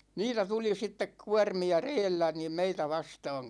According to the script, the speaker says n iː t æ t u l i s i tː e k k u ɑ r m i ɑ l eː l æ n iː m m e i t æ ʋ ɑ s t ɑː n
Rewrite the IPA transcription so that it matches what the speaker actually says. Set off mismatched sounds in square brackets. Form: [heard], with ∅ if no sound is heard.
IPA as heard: n iː t æ t u l i s i tː e k k u ɑ r m i ɑ [r] eː [lː] æ n iː m m e i t æ ʋ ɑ s t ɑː [ŋ]

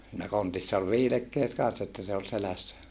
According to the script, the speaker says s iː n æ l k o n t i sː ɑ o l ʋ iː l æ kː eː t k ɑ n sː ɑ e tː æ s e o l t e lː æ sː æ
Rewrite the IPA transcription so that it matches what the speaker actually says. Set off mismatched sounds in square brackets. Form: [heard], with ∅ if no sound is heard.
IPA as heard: s iː n æ [∅] k o n t i sː ɑ o l ʋ iː l [e] kː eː t k ɑ n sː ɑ e tː æ s e o l [s] e [l] æ sː æ

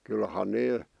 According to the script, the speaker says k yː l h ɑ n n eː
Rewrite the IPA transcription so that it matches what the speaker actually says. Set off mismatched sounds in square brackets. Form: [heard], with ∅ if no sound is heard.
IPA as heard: k [y] l h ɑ n n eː

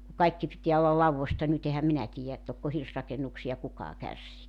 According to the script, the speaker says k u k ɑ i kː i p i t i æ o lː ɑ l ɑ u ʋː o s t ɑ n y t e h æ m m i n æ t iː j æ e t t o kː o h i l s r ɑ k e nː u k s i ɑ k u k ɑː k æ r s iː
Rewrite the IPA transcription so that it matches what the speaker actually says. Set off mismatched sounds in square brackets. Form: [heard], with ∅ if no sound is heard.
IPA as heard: k u k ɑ i kː i p i t i æ o lː ɑ l ɑ u ʋː o s t ɑ n y t e h æ m m i n æ t iː j æ e t t o kː o h i [r] s r ɑ k e nː u k s i ɑ k u k ɑː k æ r s iː

